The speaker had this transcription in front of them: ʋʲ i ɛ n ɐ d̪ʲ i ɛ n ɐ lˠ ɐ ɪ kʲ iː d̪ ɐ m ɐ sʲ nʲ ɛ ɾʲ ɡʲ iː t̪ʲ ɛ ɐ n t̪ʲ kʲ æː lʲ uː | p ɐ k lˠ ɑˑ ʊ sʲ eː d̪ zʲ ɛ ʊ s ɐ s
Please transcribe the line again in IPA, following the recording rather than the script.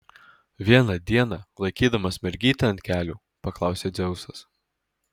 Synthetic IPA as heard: ʋʲ i ɛ n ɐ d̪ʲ i ɛ n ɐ lˠ ɐ ɪ kʲ iː d̪ ɐ m ɐ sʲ mʲ ɛ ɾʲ ɡʲ iː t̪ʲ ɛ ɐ n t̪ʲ kʲ æː lʲ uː | p ɐ k lˠ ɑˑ ʊ sʲ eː d̪ zʲ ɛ ʊ s ɐ s